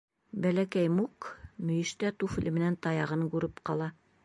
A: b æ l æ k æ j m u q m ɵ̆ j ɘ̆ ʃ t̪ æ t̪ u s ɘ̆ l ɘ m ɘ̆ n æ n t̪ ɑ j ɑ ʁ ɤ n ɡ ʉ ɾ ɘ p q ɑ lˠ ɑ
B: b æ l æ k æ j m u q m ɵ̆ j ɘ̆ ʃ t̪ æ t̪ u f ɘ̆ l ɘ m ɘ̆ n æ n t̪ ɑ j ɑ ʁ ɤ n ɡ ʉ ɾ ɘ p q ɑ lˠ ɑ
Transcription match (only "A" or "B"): B